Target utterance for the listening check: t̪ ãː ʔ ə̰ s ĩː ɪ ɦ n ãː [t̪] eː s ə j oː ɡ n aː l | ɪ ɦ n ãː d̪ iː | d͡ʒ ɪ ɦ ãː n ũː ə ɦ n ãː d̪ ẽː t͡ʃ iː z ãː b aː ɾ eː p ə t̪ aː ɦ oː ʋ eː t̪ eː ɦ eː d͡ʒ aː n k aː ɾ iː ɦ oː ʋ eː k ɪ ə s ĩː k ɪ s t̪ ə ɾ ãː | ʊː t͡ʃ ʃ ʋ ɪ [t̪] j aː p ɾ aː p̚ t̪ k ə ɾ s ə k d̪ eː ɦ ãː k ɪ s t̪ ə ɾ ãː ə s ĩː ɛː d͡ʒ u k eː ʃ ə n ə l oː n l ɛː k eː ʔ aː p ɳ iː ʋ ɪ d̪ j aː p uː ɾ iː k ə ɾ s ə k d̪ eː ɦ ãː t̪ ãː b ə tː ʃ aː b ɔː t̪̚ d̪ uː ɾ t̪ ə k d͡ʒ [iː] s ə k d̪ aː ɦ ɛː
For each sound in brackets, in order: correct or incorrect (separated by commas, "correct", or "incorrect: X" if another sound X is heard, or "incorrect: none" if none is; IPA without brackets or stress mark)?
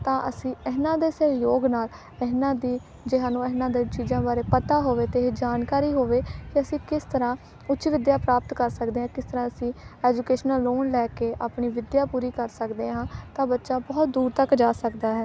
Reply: incorrect: d̪, incorrect: d̪, incorrect: aː